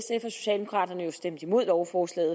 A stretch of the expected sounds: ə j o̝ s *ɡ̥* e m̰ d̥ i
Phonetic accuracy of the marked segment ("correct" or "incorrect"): incorrect